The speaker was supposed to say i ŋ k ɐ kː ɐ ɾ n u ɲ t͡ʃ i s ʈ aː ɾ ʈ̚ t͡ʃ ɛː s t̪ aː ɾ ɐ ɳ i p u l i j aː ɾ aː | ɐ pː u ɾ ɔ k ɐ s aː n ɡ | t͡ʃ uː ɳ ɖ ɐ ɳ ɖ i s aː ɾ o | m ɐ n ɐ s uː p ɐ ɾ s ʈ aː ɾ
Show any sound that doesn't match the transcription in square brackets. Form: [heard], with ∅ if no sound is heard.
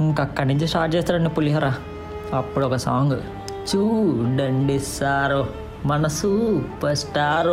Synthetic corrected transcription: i ŋ k ɐ kː ɐ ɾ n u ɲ t͡ʃ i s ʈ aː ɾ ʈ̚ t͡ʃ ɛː s t̪ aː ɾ ɐ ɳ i p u l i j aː ɾ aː | ɐ pː u [ɽ] ɔ k ɐ s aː [ŋ] ɡ | t͡ʃ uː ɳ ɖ ɐ ɳ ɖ i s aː ɾ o | m ɐ n ɐ s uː p ɐ ɾ s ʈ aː ɾ